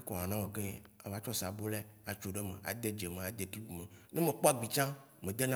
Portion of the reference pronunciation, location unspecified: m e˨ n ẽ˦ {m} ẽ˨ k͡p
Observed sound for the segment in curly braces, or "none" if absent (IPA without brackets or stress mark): m